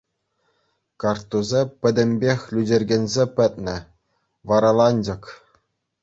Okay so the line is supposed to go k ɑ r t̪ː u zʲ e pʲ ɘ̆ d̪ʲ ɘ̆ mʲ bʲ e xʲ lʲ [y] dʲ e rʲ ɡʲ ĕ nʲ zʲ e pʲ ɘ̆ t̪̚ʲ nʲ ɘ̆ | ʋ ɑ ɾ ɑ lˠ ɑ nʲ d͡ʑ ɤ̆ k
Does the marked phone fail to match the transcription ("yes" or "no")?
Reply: no